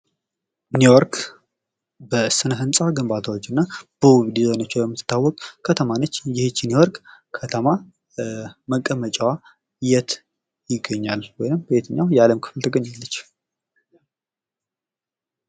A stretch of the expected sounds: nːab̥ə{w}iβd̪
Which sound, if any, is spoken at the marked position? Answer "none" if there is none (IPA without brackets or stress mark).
w